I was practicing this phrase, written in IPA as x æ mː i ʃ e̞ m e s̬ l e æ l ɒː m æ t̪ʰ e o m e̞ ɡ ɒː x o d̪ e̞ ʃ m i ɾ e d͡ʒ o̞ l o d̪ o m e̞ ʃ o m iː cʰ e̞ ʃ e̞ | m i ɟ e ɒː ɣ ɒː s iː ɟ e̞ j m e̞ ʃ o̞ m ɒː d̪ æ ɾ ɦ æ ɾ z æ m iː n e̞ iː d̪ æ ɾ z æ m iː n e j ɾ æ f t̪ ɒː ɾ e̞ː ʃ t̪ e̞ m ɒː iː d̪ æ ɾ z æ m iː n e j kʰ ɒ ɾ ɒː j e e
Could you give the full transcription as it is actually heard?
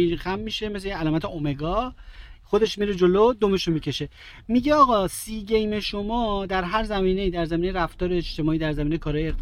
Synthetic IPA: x æ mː i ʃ e̞ m e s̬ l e æ l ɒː m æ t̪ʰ e o m e̞ ɡ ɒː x o d̪ e̞ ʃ m i ɾ e d͡ʒ o̞ l o d̪ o m e̞ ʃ o m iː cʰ e̞ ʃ e̞ | m i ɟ e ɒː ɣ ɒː s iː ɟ e̞ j m e̞ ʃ o̞ m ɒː d̪ æ ɾ ɦ æ ɾ z æ m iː n e̞ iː d̪ æ ɾ z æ m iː n e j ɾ æ f t̪ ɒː ɾ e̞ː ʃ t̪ e̞ m ɒː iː d̪ æ ɾ z æ m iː n e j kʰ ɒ ɾ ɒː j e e